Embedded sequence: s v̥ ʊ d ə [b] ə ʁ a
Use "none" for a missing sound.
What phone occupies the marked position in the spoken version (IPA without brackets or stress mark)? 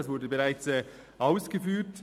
b